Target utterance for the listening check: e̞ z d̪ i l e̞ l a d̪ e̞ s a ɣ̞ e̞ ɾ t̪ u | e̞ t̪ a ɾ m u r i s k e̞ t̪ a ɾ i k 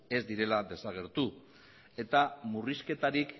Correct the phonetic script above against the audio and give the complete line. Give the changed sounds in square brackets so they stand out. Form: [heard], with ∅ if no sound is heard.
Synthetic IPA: e̞ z d̪ i [ɾ] e̞ l a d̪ e̞ s a ɣ̞ e̞ ɾ t̪ u | e̞ t̪ a [∅] m u r i s k e̞ t̪ a ɾ i k